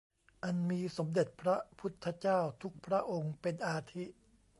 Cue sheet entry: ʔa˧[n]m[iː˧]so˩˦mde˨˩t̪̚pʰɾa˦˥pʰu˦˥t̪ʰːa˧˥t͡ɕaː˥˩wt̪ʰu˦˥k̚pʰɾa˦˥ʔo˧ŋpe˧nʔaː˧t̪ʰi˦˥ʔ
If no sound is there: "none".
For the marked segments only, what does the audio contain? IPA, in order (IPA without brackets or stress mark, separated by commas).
n, iː˧